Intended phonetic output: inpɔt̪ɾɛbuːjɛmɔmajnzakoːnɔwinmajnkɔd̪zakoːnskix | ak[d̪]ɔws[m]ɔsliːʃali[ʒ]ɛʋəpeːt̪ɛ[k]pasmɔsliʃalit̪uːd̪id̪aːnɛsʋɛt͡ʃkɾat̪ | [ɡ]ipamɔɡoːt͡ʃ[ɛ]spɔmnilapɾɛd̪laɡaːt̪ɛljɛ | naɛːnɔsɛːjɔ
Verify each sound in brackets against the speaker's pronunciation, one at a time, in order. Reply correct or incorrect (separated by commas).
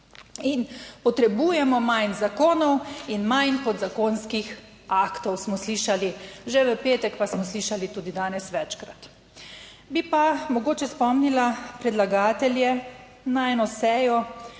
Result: incorrect, correct, correct, correct, incorrect, correct